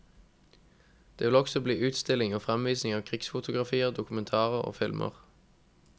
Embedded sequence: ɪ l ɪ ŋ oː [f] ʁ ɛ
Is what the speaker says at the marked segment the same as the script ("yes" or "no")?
yes